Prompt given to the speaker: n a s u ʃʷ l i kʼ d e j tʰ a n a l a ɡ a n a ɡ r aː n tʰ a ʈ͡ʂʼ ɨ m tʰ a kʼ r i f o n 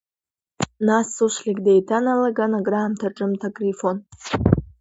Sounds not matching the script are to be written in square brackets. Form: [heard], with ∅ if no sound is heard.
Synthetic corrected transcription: n a s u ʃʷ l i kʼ d e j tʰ a n a l a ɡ a n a ɡ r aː [m] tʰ a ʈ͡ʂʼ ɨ m tʰ a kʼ r i f o n